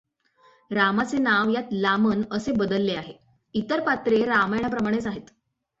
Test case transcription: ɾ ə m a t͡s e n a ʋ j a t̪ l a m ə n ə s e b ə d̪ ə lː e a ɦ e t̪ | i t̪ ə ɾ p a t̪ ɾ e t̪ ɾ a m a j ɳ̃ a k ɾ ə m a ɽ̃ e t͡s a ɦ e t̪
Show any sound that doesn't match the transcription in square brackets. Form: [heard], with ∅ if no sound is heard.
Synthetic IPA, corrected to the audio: ɾ [a] m a t͡s e n a ʋ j a t̪ l a m ə n ə s e b ə d̪ ə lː e a ɦ e [∅] | i t̪ ə ɾ p a t̪ ɾ e [∅] ɾ a m a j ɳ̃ a [p] ɾ ə m a ɽ̃ e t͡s a ɦ e t̪